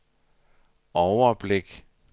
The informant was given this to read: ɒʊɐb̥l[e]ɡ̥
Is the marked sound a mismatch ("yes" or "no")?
no